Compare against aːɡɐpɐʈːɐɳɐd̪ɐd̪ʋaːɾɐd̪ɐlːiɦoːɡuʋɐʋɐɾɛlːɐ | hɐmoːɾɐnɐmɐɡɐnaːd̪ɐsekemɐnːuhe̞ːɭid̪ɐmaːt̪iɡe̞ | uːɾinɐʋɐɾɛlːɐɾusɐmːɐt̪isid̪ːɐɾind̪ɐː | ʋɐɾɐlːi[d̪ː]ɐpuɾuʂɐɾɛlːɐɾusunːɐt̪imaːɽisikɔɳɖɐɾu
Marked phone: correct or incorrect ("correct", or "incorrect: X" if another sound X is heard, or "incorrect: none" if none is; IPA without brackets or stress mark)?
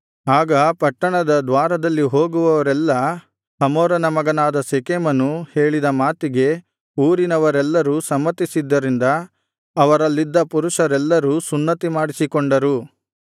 correct